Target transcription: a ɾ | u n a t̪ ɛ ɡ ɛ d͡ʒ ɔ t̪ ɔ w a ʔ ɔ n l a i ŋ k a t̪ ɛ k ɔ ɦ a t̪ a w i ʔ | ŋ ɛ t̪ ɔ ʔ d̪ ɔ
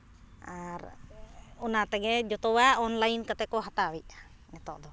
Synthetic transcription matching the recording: a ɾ | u n a t̪ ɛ ɡ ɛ d͡ʒ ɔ t̪ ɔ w a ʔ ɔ n l a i n k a t̪ ɛ k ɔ ɦ a t̪ a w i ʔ | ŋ ɛ t̪ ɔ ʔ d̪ ɔ